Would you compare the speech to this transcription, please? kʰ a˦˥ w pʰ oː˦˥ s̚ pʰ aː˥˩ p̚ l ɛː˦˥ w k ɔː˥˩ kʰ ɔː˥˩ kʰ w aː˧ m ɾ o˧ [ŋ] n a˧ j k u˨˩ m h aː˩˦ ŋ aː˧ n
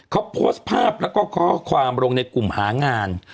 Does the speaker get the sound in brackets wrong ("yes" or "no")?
no